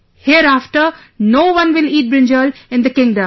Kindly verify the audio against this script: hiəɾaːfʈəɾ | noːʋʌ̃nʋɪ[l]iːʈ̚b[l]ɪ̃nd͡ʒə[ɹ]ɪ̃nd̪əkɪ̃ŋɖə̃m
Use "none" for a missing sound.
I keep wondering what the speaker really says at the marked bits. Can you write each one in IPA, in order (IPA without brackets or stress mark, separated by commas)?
l, ɾ, l